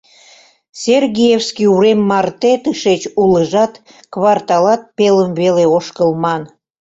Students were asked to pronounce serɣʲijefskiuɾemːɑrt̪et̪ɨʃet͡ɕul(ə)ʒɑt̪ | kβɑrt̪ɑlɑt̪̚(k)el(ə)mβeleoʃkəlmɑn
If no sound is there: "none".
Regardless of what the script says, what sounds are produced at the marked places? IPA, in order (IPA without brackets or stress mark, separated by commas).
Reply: ə, p, ə